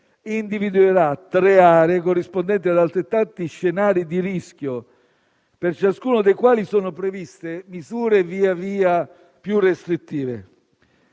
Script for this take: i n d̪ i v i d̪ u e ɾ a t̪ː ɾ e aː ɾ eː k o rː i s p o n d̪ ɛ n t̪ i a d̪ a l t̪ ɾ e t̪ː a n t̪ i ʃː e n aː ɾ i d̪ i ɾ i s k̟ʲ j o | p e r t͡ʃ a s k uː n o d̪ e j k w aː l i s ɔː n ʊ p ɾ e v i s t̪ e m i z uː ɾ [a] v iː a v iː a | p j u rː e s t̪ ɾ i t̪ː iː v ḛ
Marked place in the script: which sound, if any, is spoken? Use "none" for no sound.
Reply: e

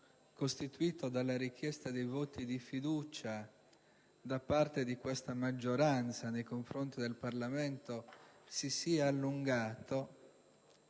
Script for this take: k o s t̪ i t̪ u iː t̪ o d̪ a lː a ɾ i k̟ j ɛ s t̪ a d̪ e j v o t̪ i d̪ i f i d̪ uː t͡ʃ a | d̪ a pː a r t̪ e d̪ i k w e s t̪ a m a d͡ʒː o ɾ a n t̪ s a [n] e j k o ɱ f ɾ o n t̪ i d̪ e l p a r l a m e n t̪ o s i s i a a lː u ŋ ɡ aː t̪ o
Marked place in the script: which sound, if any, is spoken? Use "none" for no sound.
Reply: n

